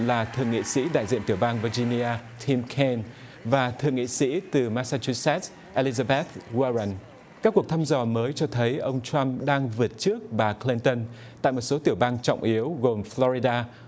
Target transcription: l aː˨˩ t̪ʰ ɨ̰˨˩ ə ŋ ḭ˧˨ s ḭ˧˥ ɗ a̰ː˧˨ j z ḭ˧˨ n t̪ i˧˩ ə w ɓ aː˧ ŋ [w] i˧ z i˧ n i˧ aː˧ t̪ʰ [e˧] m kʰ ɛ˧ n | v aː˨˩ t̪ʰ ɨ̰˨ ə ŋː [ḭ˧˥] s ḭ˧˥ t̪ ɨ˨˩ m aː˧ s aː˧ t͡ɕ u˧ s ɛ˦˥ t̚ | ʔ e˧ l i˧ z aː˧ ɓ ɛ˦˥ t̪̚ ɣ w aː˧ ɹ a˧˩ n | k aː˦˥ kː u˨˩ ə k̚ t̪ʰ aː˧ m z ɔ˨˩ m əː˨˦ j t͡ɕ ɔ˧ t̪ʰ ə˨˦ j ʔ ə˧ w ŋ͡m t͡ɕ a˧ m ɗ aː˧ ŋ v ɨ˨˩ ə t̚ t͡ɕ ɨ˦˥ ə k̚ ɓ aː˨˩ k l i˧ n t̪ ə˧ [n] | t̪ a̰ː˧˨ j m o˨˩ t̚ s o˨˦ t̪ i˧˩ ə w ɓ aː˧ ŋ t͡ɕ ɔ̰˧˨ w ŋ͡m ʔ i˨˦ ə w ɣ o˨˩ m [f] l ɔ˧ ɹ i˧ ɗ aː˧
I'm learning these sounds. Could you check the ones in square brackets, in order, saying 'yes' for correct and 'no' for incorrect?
no, no, no, yes, yes

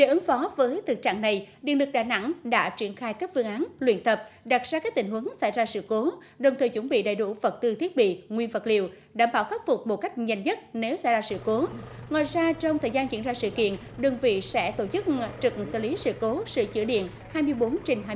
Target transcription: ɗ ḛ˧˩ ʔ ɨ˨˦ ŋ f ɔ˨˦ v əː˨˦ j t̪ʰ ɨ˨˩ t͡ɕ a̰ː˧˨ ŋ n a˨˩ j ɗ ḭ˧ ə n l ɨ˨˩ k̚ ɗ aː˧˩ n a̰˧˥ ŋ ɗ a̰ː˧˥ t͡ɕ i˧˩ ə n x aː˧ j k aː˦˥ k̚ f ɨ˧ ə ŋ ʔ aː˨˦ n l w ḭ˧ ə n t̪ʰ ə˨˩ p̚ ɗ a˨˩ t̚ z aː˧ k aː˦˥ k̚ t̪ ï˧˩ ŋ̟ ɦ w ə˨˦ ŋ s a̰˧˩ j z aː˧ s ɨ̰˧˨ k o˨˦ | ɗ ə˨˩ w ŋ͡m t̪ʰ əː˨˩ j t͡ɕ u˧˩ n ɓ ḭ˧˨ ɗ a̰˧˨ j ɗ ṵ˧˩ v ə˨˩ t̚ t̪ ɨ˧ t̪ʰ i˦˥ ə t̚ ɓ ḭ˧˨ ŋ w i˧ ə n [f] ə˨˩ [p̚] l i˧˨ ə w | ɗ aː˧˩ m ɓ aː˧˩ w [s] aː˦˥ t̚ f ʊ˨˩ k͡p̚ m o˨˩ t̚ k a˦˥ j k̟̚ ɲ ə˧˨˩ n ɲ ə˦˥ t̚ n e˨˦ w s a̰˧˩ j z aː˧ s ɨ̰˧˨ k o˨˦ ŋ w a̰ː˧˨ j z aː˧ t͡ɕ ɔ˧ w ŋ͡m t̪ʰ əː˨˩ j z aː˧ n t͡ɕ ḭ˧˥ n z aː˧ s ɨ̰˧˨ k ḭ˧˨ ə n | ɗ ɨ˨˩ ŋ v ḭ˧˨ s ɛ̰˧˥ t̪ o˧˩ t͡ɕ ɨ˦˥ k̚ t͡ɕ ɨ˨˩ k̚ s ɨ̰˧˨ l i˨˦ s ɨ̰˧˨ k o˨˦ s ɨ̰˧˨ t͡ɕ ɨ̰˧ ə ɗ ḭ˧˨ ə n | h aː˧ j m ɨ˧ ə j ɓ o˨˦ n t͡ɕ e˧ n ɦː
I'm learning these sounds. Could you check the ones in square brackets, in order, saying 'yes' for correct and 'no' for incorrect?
no, no, no

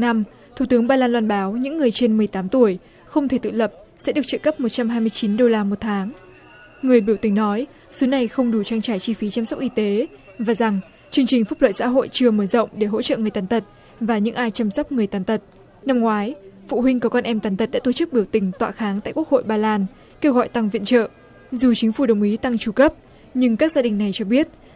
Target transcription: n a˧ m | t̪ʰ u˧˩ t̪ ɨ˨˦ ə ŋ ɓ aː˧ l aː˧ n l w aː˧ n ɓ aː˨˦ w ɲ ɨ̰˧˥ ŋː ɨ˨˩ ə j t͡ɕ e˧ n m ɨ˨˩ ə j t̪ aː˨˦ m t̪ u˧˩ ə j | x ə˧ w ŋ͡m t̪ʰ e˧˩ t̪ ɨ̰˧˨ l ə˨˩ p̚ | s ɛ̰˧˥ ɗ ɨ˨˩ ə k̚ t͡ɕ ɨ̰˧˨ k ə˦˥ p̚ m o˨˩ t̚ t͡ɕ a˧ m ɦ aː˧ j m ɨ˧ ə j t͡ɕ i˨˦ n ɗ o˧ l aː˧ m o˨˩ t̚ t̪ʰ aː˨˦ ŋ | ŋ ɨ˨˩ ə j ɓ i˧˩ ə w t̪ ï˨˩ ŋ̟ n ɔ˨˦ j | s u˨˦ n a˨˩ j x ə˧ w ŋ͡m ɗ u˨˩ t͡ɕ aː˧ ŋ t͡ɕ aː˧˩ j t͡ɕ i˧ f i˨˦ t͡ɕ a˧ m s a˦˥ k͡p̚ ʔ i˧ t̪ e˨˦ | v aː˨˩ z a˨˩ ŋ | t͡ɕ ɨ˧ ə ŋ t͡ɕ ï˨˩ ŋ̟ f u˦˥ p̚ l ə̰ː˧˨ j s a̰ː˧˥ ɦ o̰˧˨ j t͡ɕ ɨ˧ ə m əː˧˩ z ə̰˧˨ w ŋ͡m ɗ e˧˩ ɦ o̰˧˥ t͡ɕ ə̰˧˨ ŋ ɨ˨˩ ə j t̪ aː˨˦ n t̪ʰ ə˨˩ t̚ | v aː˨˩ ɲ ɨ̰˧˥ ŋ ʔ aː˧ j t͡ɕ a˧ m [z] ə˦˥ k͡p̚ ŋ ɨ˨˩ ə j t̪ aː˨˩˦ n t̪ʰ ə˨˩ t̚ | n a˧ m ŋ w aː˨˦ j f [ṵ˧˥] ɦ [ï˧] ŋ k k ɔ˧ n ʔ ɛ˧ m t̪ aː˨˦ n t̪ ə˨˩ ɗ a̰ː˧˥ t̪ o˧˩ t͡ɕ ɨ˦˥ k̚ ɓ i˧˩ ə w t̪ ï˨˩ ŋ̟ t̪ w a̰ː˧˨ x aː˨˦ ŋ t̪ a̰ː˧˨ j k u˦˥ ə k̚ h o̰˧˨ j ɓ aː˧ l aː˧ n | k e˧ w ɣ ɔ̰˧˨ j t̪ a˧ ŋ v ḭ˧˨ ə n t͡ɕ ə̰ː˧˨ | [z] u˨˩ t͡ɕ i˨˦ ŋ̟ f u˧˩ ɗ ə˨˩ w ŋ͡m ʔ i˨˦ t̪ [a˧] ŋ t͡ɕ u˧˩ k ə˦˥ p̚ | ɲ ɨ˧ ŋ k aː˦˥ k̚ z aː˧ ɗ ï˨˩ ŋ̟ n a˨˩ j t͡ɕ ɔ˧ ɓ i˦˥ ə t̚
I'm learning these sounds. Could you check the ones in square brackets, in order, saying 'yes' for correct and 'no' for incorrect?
no, no, yes, yes, yes

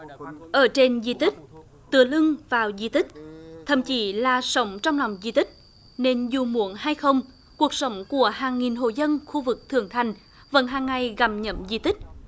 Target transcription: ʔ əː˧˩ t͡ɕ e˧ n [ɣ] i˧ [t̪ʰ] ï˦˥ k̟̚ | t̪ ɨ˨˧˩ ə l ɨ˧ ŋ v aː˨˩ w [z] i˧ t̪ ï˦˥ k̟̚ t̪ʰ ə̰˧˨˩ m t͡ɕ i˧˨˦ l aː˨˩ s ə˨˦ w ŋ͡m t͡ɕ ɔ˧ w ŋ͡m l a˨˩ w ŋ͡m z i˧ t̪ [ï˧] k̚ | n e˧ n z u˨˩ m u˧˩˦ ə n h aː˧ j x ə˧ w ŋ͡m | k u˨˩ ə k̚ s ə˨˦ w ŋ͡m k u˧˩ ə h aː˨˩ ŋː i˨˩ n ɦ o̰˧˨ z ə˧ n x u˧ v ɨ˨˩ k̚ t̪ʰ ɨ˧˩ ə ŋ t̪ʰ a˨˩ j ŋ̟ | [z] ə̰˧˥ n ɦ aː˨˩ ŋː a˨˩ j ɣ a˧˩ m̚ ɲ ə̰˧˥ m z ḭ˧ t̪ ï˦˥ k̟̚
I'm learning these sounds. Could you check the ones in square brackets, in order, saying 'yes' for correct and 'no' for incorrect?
no, no, yes, no, no

